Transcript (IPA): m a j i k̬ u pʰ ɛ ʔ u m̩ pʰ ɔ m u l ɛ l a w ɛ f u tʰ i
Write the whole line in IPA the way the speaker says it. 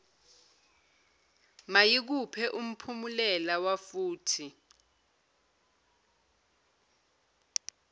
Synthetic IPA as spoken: m a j i k̬ u pʰ ɛ ʔ u m̩ pʰ u m u l ɛ l a w a f uː tʰ i